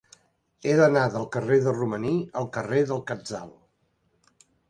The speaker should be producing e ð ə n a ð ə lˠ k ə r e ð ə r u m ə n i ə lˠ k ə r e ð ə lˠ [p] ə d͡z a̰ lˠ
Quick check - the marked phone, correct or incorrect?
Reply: incorrect: k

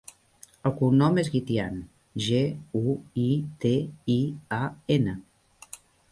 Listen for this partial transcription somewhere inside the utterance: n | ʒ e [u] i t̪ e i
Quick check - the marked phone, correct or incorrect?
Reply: correct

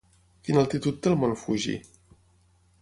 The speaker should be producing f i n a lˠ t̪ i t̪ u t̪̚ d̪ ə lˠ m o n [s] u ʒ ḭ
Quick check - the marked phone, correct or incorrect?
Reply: incorrect: f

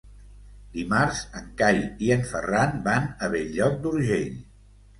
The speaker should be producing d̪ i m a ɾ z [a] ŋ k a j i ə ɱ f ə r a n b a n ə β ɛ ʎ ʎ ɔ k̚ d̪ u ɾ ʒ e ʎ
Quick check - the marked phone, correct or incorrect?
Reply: incorrect: ə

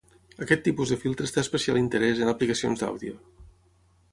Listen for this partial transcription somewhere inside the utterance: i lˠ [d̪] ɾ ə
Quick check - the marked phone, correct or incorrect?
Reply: incorrect: t̪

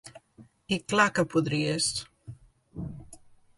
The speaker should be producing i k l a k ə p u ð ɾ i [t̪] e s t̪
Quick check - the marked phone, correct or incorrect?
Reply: incorrect: none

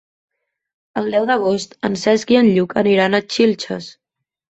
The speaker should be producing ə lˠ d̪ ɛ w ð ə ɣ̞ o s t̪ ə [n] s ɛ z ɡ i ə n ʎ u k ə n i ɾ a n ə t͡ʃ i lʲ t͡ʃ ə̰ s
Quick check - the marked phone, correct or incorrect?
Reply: correct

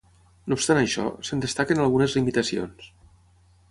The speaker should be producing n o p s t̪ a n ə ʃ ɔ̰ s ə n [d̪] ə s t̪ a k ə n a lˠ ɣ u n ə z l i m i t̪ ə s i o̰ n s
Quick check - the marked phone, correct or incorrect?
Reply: correct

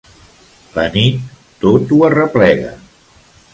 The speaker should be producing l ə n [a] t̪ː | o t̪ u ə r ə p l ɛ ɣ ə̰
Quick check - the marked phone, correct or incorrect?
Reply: incorrect: i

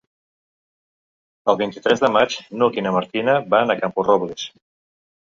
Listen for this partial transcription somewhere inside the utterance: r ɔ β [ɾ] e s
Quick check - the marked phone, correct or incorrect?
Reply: incorrect: l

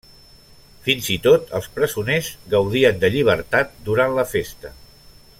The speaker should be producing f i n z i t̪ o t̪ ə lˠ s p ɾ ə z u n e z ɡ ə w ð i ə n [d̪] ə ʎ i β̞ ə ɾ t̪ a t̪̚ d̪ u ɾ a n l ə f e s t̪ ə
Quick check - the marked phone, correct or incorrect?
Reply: correct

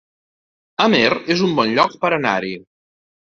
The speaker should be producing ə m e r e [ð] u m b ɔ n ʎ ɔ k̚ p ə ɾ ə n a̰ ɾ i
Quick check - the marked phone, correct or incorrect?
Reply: incorrect: z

